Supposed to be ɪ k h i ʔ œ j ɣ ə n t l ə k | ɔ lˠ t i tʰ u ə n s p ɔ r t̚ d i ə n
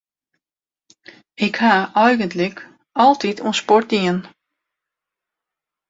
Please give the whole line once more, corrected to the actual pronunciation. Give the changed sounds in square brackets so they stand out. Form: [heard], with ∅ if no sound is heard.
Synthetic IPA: ɪ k h [a] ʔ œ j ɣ ə n t l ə k | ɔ lˠ t i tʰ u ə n s p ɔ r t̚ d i ə n